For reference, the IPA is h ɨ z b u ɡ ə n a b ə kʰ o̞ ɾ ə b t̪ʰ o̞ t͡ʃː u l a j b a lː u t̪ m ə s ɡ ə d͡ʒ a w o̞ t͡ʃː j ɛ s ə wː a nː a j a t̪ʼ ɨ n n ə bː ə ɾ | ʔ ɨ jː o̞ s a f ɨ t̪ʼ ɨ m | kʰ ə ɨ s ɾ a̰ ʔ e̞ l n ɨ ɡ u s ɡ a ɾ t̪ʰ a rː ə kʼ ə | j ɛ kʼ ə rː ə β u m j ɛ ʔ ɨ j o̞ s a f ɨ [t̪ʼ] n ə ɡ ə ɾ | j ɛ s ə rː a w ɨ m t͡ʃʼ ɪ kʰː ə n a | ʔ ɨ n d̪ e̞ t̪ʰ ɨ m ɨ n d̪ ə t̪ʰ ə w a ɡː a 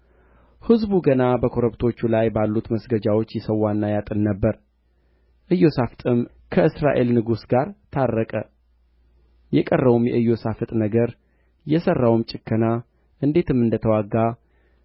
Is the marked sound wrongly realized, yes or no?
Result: no